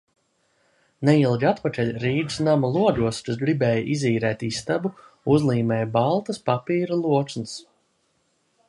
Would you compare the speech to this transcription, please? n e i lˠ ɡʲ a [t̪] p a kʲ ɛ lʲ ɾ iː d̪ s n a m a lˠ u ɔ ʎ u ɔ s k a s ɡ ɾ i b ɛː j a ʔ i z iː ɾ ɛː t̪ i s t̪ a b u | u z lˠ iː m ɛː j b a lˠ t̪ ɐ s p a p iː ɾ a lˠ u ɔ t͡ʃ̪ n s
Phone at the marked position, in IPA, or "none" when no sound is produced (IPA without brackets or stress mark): t̪